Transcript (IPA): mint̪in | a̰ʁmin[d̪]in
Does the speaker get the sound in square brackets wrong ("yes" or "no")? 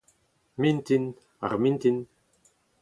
yes